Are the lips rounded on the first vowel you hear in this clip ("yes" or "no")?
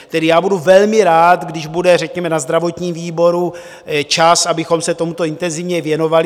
no